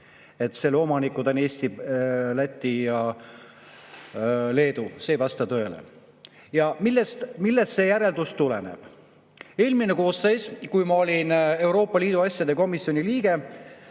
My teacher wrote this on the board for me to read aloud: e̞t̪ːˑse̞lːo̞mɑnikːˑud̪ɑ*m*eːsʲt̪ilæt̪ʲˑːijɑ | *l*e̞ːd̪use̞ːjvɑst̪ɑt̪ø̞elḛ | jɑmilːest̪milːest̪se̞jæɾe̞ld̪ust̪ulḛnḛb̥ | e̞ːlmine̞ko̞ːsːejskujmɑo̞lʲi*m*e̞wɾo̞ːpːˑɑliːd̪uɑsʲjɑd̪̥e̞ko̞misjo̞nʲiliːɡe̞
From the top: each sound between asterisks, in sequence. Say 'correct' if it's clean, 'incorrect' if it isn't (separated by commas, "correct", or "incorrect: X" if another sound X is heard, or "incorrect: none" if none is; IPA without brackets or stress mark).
incorrect: n, correct, incorrect: n